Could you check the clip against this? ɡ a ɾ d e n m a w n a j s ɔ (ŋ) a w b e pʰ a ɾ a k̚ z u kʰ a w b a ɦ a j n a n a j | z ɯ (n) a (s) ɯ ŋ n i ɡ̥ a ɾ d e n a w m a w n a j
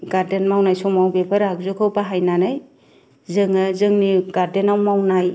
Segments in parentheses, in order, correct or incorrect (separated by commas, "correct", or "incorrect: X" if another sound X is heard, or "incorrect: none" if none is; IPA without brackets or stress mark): incorrect: m, incorrect: ŋ, incorrect: z